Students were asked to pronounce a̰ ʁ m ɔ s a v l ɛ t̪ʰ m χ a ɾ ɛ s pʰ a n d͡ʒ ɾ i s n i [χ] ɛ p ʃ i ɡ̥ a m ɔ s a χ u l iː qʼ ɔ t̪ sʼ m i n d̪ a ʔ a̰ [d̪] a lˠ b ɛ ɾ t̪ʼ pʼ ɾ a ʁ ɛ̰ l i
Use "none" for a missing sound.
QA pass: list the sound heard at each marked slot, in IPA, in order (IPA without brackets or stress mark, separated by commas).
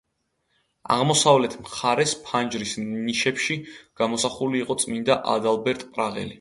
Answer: ʃ, d̪